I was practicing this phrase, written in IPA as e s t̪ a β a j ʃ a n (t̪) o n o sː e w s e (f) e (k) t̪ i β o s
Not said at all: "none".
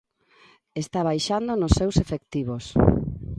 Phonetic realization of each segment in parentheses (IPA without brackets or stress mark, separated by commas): d̪, f, k